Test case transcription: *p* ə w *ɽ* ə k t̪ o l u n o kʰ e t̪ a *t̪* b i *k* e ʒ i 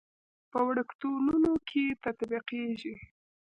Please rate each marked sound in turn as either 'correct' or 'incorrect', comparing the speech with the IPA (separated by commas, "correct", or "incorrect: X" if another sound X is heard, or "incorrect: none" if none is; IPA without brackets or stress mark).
correct, correct, correct, incorrect: q